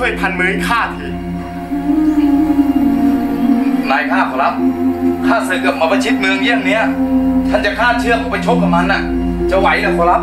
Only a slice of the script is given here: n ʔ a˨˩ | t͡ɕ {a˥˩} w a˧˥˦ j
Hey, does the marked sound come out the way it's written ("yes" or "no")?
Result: no